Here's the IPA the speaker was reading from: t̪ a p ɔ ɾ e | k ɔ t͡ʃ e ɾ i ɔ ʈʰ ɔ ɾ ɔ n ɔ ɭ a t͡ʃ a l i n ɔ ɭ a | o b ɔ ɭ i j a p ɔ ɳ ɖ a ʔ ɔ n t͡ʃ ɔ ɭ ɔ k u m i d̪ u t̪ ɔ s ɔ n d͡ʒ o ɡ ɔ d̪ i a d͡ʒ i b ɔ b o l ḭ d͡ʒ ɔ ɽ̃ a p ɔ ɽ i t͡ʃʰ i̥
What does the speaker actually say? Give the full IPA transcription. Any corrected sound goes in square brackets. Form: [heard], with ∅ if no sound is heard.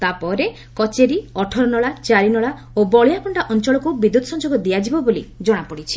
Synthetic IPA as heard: t̪ a p ɔ ɾ e | k ɔ t͡ʃ e ɾ i ɔ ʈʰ ɔ ɾ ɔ n ɔ ɭ a t͡ʃ a [ɾ] i n ɔ ɭ a | o b ɔ ɭ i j a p ɔ ɳ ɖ a ʔ ɔ n t͡ʃ ɔ ɭ ɔ k u [b] i d̪ u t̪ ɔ s ɔ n d͡ʒ o ɡ ɔ d̪ i a d͡ʒ i b ɔ b o l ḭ d͡ʒ ɔ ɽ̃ a p ɔ ɽ i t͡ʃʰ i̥